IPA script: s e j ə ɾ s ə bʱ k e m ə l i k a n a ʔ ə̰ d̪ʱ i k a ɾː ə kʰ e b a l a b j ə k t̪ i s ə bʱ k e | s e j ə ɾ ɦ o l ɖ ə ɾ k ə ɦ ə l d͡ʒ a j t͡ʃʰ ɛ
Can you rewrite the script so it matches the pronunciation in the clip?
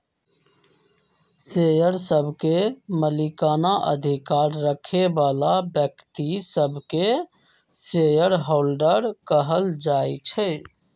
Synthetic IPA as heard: s e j ə ɾ s ə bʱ k e m ə l i k a n a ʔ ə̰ d̪ʱ i k a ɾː ə kʰ e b a l a b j ə k t̪ i s ə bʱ k e | s e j ə ɾ ɦ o l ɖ ə ɾ k ə ɦ ə l d͡ʒ a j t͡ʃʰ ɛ